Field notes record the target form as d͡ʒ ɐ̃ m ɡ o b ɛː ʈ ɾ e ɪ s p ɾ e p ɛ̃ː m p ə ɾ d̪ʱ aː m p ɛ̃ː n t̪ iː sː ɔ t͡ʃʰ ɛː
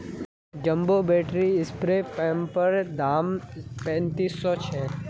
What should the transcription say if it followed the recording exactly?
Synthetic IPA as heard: d͡ʒ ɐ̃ m b o b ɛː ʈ ɾ i ɪ s p ɾ e p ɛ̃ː m p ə ɾ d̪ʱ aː m p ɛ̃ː n t̪ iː sː ɔ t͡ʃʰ ɛː

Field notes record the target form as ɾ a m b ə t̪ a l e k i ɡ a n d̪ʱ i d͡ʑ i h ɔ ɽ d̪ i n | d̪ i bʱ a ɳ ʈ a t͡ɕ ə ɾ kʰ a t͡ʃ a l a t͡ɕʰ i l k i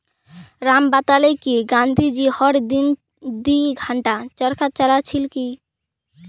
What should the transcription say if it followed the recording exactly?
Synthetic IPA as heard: ɾ a m b a t̪ a l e k i ɡ a n d̪ʱ i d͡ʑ i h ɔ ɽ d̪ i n | d̪ i ɡʱ a ɳ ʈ a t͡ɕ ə ɾ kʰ a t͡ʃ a l a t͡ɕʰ i l k i

